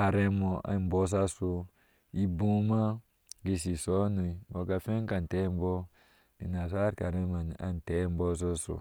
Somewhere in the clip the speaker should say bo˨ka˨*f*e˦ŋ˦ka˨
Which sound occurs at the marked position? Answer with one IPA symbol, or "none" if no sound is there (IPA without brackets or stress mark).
f